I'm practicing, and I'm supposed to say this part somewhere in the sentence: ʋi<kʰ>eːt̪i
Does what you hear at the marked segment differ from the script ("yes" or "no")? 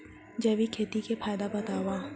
no